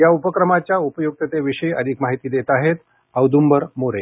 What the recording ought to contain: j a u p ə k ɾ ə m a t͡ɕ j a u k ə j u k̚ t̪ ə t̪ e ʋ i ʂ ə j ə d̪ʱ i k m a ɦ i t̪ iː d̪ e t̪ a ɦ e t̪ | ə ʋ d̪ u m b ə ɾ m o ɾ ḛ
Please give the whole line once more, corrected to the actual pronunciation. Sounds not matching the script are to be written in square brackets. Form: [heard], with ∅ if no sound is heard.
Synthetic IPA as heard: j a u p ə k ɾ ə m a t͡ɕ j a u [p] ə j u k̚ t̪ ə t̪ e ʋ i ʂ ə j ə d̪ʱ i k m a ɦ i t̪ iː d̪ e t̪ a ɦ e t̪ | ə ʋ d̪ u m b ə ɾ m o ɾ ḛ